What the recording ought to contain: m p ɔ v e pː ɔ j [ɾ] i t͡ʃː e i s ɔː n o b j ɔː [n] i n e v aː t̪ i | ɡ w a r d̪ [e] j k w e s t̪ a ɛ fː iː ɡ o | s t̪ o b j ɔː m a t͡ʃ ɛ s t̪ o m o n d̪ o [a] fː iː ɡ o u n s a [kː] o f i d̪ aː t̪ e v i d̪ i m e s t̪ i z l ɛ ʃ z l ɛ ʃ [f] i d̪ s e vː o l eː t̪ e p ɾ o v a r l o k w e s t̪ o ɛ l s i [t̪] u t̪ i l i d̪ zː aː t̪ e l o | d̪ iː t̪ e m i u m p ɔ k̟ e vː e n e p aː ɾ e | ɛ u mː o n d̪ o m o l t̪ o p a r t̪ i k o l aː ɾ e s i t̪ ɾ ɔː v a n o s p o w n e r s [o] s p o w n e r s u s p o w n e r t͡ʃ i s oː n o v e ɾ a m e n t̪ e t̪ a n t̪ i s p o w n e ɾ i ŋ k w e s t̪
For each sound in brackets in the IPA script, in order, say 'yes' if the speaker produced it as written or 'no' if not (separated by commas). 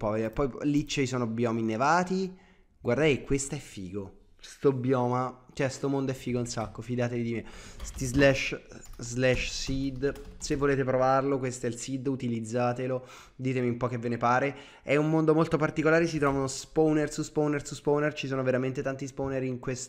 no, no, no, no, yes, no, no, no